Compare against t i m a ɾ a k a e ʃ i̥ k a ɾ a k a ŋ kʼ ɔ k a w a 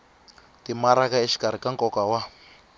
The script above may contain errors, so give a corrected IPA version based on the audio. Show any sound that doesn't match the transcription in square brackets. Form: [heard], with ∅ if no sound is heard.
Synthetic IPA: t i m a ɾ a k a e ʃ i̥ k a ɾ [i] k a ŋ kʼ ɔ k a w a